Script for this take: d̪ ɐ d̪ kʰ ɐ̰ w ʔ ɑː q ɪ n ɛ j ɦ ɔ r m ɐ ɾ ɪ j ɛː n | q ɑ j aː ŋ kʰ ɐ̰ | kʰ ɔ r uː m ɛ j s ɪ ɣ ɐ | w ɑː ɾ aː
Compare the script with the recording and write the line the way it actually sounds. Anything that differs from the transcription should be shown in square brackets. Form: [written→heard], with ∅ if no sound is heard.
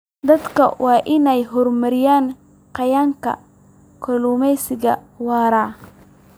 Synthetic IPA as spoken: d̪ ɐ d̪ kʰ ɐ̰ w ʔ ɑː [q→ʔ] ɪ n ɛ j ɦ ɔ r m ɐ ɾ ɪ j [ɛː→aː] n | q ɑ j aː ŋ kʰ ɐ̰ | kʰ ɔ [r→l] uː m ɛ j s ɪ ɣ ɐ | w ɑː ɾ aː